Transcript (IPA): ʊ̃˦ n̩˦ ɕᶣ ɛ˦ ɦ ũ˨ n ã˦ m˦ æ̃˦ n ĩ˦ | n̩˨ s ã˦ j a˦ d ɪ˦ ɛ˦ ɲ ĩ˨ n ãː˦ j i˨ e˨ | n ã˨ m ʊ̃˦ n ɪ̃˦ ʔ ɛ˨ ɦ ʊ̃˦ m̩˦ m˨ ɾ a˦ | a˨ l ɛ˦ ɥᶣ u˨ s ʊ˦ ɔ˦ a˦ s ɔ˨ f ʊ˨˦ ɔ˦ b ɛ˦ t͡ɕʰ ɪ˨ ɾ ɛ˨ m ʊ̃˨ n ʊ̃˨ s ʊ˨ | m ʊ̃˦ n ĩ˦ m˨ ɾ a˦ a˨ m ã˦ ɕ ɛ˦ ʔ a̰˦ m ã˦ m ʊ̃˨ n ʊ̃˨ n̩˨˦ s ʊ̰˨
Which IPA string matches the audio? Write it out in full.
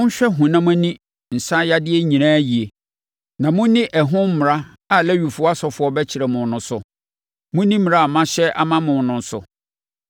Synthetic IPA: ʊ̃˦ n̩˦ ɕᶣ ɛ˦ ɦ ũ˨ n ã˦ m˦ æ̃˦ n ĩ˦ | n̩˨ s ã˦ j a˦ d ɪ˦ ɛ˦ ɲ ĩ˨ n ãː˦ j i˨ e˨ | n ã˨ m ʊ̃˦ n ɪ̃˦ ʔ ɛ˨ ɦ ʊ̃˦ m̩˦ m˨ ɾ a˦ | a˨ l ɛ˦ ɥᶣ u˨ f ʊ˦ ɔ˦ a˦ s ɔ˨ f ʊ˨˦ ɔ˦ b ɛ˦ t͡ɕʰ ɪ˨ ɾ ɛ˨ m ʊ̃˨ n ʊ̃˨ s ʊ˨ | m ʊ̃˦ n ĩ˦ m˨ ɾ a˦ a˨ m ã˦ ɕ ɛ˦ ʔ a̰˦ m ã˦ m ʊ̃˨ n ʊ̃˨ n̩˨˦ s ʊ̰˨